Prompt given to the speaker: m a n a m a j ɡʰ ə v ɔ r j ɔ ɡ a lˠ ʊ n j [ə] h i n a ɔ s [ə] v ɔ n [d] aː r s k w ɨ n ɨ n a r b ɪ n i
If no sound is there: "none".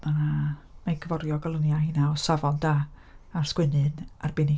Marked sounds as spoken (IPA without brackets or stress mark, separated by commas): a, a, d